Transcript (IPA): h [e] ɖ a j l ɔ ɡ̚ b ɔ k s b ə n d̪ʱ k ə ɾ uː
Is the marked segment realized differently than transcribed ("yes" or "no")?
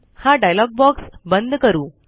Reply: yes